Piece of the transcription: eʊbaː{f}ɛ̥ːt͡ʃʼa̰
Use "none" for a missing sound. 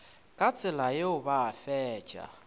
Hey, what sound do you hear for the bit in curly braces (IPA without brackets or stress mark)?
f